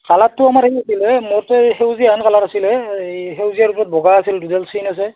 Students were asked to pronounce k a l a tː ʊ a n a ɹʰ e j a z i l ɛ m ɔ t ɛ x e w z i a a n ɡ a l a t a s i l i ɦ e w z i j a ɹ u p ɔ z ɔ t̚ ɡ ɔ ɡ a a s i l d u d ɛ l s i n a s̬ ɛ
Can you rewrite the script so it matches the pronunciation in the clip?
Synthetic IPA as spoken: k a l a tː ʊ a m a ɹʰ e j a s i l ɛ m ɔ t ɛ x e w z i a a n k a l a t a s i l ɛ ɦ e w z i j a ɹ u p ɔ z ɔ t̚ b ɔ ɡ a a s i l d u d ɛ l s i n a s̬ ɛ